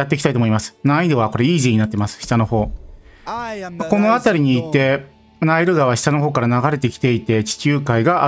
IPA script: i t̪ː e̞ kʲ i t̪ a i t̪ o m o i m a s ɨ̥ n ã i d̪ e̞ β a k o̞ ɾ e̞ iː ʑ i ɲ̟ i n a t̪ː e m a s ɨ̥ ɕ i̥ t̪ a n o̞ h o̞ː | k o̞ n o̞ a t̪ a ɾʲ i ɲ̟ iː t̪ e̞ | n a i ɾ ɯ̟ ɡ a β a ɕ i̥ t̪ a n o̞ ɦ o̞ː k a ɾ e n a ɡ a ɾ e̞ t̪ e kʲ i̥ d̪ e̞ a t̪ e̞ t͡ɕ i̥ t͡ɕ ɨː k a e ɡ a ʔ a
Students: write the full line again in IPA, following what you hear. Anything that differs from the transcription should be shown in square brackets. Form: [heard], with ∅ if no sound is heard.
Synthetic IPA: [a] t̪ː e̞ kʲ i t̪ a i t̪ o m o i m a s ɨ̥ n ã i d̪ e̞ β a k o̞ ɾ e̞ iː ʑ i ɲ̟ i n a t̪ː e m a s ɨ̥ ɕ i̥ t̪ a n o̞ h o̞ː | k o̞ n o̞ a t̪ a ɾʲ i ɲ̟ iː t̪ e̞ | n a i ɾ ɯ̟ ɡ a β a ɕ i̥ t̪ a n o̞ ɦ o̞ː k a ɾ [a] n a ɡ a ɾ e̞ t̪ e kʲ i̥ [t̪] e̞ [i] t̪ e̞ t͡ɕ i̥ t͡ɕ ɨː k a [i] ɡ a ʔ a